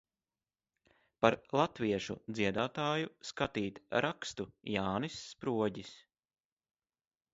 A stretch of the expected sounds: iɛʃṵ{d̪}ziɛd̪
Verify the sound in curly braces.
correct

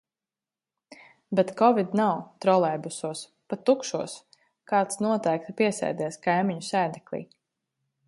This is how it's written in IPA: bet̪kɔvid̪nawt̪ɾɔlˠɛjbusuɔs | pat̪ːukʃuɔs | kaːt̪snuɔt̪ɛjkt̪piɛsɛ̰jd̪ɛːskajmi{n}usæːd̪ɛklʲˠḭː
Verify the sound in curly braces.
incorrect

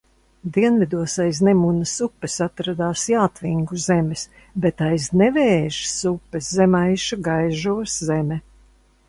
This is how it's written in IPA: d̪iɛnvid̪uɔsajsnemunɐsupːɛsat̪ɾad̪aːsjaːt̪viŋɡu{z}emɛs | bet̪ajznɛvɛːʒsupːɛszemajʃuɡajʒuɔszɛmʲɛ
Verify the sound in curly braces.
correct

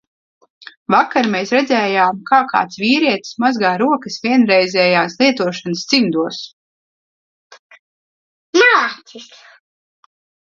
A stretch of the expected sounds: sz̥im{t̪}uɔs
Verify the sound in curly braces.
incorrect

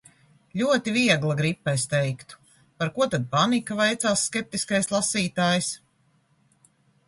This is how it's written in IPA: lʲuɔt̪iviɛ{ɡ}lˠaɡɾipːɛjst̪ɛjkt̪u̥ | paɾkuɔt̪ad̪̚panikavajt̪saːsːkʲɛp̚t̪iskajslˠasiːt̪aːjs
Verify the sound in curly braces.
correct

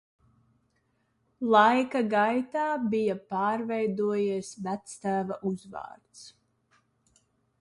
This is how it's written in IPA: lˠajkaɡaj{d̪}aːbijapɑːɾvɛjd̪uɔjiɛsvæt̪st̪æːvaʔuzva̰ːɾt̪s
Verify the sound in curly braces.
incorrect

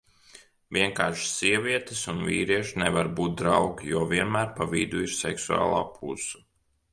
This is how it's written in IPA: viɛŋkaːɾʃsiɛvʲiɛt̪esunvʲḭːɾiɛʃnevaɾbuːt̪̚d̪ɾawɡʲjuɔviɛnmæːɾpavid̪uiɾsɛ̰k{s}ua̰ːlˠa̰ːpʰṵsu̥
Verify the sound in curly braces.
correct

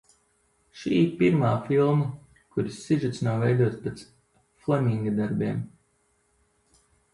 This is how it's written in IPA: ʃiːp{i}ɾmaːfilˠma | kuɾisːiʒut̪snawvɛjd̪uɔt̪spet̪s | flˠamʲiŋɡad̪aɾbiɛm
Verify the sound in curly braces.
correct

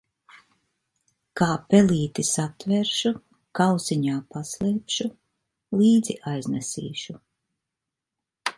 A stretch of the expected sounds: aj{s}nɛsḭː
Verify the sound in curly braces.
incorrect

